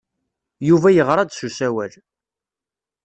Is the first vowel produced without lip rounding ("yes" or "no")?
no